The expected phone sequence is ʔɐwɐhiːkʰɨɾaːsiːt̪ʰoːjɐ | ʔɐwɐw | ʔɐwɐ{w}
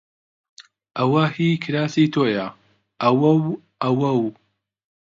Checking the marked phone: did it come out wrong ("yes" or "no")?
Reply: no